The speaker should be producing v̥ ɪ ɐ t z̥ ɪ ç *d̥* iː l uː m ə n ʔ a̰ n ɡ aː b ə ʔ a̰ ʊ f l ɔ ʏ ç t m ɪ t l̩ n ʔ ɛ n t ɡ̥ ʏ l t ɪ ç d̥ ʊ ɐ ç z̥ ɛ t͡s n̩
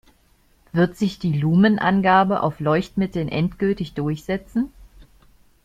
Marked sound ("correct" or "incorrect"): correct